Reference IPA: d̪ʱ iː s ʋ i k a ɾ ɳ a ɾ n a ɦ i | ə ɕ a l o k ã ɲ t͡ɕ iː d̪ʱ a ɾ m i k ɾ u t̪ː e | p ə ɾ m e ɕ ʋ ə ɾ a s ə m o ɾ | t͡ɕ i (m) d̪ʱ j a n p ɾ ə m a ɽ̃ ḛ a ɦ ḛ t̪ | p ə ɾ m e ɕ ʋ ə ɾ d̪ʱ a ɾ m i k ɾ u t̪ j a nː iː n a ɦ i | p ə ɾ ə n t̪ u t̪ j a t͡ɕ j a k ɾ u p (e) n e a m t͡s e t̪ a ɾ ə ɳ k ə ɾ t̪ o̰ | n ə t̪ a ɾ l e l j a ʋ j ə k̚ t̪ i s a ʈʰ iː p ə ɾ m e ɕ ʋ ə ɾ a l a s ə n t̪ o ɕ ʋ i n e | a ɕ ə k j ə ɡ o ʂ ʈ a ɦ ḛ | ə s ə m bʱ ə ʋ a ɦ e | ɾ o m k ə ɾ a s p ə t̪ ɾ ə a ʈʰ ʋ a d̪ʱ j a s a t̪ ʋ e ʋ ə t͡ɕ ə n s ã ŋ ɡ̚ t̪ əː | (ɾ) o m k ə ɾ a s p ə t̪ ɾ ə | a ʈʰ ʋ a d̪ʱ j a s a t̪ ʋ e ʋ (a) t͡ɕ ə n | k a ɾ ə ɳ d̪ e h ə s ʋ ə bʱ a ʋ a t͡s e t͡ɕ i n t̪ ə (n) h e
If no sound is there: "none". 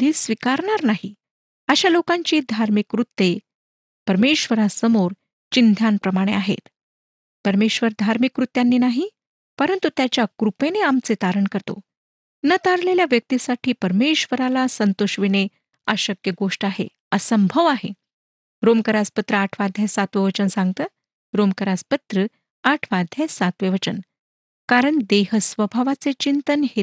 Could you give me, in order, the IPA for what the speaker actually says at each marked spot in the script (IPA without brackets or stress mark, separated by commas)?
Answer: n, e, ɾ, ə, n